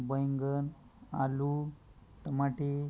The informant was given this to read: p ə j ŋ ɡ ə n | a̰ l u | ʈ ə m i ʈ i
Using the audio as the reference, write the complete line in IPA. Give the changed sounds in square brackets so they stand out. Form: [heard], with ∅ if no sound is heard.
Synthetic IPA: [b] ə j ŋ ɡ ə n | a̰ l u | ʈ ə m [a] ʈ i